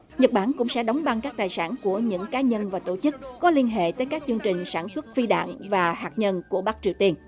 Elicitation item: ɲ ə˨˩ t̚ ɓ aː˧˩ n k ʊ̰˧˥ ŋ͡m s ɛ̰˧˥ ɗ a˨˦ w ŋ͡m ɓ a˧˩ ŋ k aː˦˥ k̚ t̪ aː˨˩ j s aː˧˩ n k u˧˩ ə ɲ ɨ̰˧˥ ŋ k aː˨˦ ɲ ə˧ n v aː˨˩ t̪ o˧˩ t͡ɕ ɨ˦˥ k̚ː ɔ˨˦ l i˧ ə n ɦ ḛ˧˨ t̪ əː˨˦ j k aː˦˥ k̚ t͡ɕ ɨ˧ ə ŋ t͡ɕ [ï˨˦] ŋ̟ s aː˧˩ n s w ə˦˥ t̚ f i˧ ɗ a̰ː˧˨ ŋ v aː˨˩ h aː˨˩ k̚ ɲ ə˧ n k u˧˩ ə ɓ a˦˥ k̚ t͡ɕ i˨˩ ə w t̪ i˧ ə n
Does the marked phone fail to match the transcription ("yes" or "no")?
yes